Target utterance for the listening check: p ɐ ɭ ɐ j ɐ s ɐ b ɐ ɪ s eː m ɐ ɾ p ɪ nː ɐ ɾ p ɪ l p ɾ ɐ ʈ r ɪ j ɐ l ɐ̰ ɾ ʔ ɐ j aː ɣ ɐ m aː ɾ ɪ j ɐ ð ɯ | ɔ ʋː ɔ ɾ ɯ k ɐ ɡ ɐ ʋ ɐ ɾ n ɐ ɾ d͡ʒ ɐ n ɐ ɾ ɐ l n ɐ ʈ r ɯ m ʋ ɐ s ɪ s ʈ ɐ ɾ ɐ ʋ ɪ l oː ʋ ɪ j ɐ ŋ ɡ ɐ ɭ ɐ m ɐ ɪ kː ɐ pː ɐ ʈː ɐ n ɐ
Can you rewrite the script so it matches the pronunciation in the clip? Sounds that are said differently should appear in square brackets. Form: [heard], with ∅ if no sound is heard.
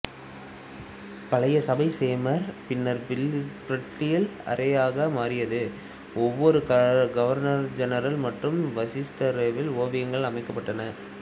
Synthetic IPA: p ɐ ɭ ɐ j ɐ s ɐ b ɐ ɪ s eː m ɐ ɾ p ɪ nː ɐ ɾ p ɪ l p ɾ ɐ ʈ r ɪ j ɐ l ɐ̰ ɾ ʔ ɐ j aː ɣ ɐ m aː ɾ ɪ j ɐ ð ɯ | ɔ ʋː ɔ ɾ ɯ k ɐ ɡ ɐ ʋ ɐ ɾ n ɐ ɾ d͡ʒ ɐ n ɐ ɾ ɐ l [m] ɐ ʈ r ɯ m ʋ ɐ s ɪ s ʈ ɐ ɾ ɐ ʋ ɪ l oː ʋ ɪ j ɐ ŋ ɡ ɐ ɭ ɐ m ɐ ɪ kː ɐ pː ɐ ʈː ɐ n ɐ